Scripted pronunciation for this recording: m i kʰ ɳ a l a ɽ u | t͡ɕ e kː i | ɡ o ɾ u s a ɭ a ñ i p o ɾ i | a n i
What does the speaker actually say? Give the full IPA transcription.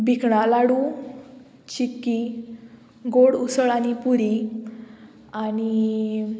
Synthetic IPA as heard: b i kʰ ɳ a l a ɽ u | t͡ɕ i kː i | ɡ o ɽ u s ə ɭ a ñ i p u ɾ i | a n i